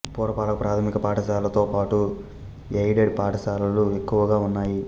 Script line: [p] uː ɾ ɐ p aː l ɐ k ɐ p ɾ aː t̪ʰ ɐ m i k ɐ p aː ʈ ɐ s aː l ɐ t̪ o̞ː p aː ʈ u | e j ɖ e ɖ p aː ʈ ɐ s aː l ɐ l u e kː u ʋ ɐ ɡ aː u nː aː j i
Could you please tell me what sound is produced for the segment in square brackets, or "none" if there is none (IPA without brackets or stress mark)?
p